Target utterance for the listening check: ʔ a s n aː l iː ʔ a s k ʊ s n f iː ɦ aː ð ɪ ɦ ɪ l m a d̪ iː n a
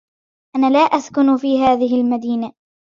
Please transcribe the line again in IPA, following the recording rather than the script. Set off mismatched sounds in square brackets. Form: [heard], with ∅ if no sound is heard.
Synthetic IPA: ʔ a [∅] n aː l [aː] ʔ a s k ʊ [∅] n f iː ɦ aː ð ɪ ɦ ɪ l m a d̪ iː n a